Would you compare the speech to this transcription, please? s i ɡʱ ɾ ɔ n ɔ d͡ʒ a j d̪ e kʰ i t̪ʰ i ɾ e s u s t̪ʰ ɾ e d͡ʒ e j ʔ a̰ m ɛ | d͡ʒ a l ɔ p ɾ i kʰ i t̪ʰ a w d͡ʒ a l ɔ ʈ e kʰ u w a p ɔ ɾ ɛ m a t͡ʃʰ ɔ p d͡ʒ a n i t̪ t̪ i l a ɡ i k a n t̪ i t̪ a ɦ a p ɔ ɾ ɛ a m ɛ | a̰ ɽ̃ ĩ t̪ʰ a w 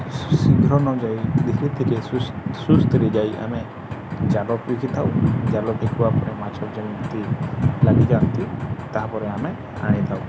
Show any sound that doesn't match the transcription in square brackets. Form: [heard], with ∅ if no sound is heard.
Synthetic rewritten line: s i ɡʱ ɾ ɔ n ɔ d͡ʒ a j d̪ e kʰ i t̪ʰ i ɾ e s u s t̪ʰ ɾ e d͡ʒ [a] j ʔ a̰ m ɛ | d͡ʒ a l ɔ p ɾ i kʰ i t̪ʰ a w d͡ʒ a l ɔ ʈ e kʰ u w a p ɔ ɾ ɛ m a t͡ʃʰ ɔ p d͡ʒ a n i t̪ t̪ i l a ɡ i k a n t̪ i t̪ a ɦ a p ɔ ɾ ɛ a m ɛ | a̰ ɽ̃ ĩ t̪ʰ a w